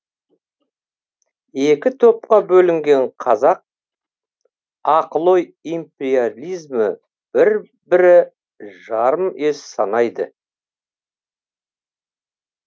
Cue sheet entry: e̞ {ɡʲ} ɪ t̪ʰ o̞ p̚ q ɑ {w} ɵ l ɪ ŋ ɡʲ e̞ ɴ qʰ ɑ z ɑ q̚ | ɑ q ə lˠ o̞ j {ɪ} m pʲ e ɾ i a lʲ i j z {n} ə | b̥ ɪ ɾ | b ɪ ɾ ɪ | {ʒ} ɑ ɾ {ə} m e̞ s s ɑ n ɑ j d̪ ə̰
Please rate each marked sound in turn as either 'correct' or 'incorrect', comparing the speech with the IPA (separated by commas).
incorrect, incorrect, incorrect, incorrect, correct, correct